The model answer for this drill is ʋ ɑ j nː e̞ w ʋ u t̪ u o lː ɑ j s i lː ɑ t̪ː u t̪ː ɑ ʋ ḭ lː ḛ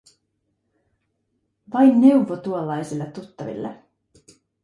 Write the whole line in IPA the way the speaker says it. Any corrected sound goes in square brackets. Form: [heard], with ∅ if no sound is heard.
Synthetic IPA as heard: ʋ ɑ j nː e̞ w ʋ [o] t̪ u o lː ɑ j s i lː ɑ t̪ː u t̪ː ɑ ʋ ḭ lː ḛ